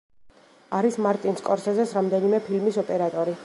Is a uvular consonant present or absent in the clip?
absent